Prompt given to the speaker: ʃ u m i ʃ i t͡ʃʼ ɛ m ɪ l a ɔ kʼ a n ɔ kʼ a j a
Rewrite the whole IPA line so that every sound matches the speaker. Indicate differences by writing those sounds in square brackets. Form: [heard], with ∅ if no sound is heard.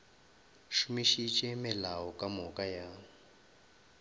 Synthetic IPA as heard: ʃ u m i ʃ i t͡ʃʼ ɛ m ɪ l a ɔ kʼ a [m] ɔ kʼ a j a